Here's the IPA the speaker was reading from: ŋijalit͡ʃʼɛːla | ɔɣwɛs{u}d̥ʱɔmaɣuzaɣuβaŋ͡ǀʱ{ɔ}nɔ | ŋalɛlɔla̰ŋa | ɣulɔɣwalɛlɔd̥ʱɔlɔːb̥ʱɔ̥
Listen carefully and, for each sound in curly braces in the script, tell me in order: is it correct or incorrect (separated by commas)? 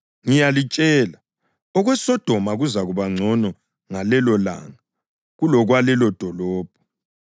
incorrect, correct